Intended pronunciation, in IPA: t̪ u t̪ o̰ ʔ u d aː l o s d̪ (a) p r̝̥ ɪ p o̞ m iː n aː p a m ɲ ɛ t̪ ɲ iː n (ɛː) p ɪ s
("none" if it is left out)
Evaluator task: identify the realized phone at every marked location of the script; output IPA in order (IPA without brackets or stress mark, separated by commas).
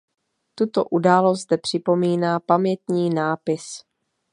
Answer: ɛ, aː